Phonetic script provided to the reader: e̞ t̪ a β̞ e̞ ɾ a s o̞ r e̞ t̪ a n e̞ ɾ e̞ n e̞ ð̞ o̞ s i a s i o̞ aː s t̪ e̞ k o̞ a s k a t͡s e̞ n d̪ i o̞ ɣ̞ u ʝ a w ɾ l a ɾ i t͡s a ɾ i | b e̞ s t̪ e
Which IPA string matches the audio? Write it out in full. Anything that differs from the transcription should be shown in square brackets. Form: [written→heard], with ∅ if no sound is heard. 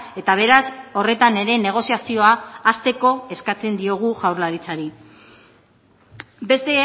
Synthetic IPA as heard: e̞ t̪ a β̞ e̞ ɾ a s o̞ r e̞ t̪ a n e̞ ɾ e̞ n e̞ [ð̞→ɣ̞] o̞ s i a s i o̞ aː s t̪ e̞ k o̞ [a→e] s k a t͡s e̞ n d̪ i o̞ ɣ̞ u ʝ a w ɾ l a ɾ i t͡s a ɾ i | b e̞ s t̪ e